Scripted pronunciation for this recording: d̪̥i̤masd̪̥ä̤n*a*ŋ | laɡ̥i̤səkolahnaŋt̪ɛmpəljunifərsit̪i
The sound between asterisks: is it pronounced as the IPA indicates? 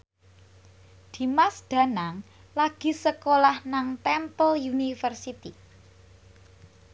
yes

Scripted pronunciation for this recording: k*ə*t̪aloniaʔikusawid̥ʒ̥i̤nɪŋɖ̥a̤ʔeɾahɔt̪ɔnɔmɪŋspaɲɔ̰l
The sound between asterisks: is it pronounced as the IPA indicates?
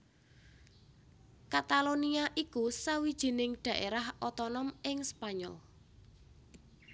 no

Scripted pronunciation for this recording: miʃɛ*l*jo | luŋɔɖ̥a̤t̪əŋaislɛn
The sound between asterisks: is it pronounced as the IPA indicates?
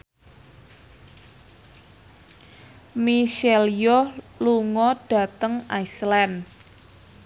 yes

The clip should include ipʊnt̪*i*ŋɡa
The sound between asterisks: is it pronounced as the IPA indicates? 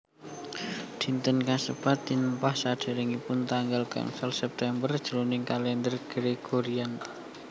no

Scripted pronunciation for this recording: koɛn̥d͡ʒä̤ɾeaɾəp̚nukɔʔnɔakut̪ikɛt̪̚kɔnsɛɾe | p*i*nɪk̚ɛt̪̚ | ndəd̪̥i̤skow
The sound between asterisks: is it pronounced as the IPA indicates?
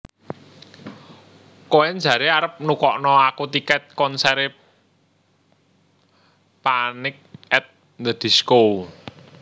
no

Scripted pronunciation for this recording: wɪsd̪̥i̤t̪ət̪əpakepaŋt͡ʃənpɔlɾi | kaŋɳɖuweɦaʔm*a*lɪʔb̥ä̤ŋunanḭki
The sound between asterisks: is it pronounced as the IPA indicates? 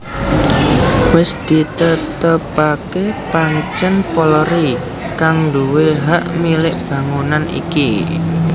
no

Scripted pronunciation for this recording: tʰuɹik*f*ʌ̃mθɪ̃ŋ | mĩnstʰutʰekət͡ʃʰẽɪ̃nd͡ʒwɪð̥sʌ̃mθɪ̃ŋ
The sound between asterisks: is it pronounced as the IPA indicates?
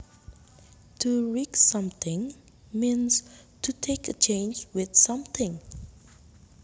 no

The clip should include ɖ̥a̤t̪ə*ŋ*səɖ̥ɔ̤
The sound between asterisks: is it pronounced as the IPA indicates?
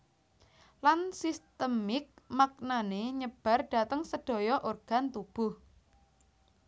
yes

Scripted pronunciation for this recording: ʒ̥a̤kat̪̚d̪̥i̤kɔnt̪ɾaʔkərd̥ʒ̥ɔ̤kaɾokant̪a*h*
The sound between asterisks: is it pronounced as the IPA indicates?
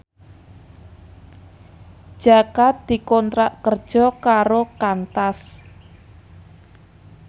no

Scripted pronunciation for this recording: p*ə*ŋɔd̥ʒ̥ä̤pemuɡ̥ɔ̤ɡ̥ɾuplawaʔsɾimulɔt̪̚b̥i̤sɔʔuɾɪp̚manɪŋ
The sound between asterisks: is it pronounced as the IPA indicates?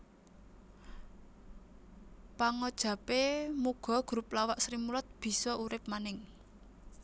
no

